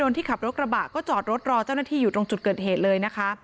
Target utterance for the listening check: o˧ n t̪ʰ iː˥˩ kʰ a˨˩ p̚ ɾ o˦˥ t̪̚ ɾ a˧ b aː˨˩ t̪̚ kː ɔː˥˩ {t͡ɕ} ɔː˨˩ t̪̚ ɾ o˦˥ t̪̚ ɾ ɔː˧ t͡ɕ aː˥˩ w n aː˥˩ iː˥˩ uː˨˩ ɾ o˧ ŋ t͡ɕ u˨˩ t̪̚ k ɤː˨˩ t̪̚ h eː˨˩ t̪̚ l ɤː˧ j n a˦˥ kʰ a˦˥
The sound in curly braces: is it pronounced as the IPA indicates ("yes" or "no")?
yes